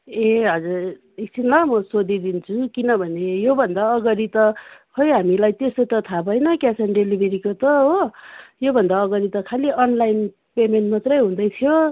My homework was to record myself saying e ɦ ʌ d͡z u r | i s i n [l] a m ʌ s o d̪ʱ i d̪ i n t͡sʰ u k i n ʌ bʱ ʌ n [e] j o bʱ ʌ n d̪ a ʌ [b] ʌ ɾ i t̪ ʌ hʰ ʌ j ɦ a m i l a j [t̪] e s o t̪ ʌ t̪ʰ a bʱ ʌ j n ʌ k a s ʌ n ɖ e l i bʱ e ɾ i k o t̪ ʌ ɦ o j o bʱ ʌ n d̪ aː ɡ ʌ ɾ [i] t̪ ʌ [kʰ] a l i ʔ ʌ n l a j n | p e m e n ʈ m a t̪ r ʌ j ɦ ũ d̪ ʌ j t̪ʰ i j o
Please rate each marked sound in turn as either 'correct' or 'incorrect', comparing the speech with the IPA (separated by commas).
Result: correct, correct, incorrect, correct, correct, correct